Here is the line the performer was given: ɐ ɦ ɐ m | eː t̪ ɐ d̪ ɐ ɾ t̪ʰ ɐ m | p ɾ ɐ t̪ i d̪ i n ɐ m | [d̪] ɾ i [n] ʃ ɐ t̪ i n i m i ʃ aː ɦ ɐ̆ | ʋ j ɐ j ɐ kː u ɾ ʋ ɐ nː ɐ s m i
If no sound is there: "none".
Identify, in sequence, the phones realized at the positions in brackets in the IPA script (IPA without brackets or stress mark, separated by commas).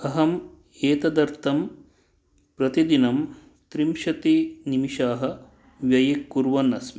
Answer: t̪, m